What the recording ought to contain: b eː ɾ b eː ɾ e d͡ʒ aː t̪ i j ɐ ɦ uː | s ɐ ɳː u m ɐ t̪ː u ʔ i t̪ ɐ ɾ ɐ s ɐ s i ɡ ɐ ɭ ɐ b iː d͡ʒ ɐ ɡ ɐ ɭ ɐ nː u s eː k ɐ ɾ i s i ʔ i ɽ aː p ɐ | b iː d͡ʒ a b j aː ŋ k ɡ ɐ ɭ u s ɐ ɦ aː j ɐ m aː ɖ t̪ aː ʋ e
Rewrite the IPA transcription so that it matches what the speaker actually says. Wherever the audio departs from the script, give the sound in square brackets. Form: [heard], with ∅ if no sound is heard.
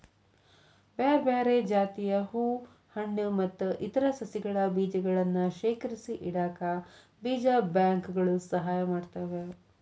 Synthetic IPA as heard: b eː ɾ b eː ɾ e d͡ʒ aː t̪ i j ɐ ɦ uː | [h] ɐ ɳː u m ɐ t̪ː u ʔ i t̪ ɐ ɾ ɐ s ɐ s i ɡ ɐ ɭ ɐ b iː d͡ʒ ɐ ɡ ɐ ɭ ɐ nː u [ʃ] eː k ɐ ɾ i s i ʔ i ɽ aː [k] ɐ | b iː d͡ʒ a b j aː ŋ k ɡ ɐ ɭ u s ɐ ɦ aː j ɐ m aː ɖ t̪ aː ʋ e